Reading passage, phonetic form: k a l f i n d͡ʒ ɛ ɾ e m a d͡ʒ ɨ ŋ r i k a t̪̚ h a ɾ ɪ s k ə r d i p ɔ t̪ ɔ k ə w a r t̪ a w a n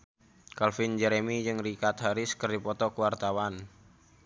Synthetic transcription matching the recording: k a l f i n d͡ʒ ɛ ɾ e m i d͡ʒ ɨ ŋ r i k a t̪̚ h a ɾ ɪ s k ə r d i p ɔ t̪ ɔ k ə w a r t̪ a w a n